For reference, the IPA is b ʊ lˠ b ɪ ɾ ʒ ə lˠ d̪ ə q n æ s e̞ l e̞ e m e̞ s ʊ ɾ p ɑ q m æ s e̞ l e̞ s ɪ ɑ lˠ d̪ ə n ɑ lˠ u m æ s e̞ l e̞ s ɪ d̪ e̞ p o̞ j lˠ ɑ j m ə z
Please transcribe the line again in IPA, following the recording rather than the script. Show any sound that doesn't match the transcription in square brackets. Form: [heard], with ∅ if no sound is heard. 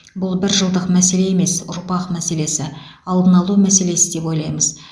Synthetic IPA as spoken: b ʊ lˠ b ɪ ɾ ʒ ə lˠ d̪ ə q [m] æ s e̞ l e̞ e m e̞ s ʊ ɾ p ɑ q m æ s e̞ l e̞ s ɪ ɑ lˠ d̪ ə n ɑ lˠ u m æ s e̞ l e̞ s ɪ d̪ e̞ p o̞ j lˠ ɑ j m ə z

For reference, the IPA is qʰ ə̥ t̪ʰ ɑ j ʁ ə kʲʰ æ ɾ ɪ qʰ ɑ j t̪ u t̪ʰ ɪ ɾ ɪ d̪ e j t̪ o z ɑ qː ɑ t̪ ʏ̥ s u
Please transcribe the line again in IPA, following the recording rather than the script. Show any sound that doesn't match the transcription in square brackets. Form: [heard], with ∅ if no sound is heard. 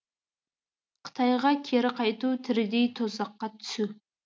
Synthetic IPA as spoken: qʰ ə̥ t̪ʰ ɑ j ʁ [ɑ] kʲʰ [e] ɾ ɪ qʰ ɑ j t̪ u t̪ʰ ɪ ɾ ɪ d̪ e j [t̪ʰ] o z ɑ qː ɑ [t̪ʰ] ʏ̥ s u

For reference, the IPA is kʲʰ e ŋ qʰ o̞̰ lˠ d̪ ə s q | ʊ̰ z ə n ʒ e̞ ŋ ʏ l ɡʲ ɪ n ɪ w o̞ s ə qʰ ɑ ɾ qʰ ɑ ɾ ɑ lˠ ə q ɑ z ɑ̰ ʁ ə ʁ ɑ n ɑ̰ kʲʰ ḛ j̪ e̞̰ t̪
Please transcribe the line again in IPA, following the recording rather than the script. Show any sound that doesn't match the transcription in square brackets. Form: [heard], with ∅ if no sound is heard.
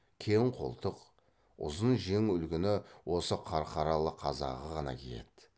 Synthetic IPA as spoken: kʲʰ e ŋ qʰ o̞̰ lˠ [t̪] ə [∅] q | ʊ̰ z ə n ʒ e̞ ŋ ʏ l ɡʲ ɪ n ɪ w o̞ s ə qʰ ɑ ɾ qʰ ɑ ɾ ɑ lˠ ə [qʰ] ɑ z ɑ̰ ʁ ə ʁ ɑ n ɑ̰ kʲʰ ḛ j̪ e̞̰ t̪

